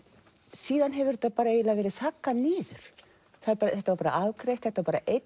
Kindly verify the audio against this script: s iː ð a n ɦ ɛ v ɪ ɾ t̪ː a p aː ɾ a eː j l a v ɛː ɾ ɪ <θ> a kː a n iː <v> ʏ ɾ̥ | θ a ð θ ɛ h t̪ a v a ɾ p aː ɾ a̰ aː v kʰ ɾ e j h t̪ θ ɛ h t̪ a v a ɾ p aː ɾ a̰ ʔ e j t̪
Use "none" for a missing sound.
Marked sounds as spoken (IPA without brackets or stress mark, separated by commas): θ, ð